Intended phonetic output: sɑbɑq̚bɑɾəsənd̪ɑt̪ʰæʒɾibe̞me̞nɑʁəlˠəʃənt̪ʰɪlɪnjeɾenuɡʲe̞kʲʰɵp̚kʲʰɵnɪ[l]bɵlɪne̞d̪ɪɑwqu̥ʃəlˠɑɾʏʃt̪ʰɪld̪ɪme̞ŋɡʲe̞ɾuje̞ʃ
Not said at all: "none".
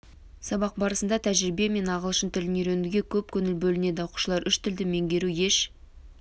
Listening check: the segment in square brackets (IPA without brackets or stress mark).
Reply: l